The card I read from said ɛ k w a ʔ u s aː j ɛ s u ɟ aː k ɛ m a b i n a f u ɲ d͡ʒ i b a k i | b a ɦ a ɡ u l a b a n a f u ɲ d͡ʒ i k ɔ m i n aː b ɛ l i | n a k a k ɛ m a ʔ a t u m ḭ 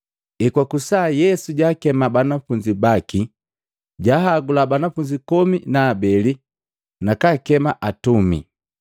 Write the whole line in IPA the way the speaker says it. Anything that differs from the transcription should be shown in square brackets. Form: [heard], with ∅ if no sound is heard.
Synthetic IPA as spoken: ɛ k w a [k] u s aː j ɛ s u ɟ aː k ɛ m a b [a] n a f u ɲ d͡ʒ i b a k i | [ɟ] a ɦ a ɡ u l a b a n a f u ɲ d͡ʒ i k ɔ m i n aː b ɛ l i | n a k a k ɛ m a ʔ a t u m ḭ